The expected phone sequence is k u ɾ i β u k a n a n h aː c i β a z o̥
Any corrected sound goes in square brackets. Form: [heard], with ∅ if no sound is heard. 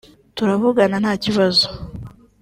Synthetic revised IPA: [t] u ɾ [a] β u [ɡ] a n a n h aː c i β a z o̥